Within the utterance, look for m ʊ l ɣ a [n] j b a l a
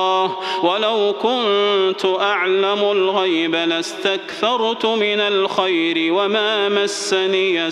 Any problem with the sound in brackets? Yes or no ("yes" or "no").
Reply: yes